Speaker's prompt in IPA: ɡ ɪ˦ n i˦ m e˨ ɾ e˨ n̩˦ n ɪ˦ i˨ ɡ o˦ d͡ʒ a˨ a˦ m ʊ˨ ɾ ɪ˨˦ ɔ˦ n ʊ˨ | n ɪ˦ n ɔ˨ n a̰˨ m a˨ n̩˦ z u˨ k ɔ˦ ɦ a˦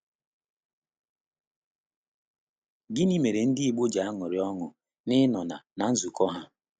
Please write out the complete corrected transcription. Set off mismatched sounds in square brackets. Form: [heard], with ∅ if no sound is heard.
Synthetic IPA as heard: ɡ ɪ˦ n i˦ m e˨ ɾ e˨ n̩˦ [d] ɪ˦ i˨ [ɡ͡b] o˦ d͡ʒ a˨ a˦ [ŋ] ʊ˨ ɾ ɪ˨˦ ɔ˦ [ŋ] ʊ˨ | n ɪ˦ n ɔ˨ n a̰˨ [n] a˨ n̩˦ z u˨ k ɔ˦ ɦ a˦